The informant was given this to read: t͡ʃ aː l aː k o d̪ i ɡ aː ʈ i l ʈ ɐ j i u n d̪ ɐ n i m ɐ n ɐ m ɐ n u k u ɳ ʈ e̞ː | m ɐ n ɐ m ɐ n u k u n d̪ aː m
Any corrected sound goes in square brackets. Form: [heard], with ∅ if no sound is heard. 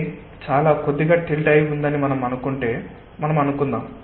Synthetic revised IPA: t͡ʃ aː l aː k o [d̪ː] i ɡ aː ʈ i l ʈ ɐ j i u n d̪ ɐ n i m ɐ n ɐ m ɐ n u k u ɳ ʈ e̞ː | m ɐ n ɐ m ɐ n u k u n d̪ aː m